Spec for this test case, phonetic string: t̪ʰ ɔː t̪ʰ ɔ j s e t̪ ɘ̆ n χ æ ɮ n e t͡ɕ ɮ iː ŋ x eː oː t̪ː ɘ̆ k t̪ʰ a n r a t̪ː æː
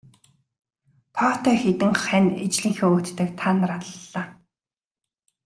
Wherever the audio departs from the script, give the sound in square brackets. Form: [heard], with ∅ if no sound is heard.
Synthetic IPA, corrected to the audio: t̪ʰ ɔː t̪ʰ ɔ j [x] e t̪ ɘ̆ [ŋ] χ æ [∅] n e t͡ɕ ɮ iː ŋ x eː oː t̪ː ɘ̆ k t̪ʰ a n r a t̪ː [aː]